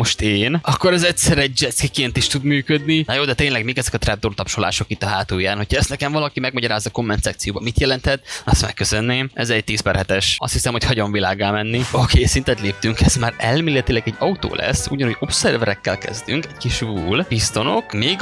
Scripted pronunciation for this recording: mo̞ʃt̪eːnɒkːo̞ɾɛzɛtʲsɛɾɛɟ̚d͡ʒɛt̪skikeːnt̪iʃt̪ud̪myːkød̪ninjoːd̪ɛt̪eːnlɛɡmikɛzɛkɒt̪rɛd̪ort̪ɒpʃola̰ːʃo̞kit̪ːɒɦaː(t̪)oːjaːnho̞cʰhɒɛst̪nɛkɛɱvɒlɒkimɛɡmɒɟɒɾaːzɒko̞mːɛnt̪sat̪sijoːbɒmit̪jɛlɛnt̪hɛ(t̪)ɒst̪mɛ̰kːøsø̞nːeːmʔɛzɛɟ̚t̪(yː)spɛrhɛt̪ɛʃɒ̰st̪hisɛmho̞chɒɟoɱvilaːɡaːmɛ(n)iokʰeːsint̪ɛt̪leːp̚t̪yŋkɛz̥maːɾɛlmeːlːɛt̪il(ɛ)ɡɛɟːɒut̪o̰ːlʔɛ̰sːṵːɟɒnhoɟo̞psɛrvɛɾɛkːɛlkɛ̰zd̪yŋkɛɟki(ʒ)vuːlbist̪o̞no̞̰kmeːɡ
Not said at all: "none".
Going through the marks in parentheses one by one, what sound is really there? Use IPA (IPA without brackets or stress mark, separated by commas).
t̪, t̪, iː, nː, ɛ, ʃ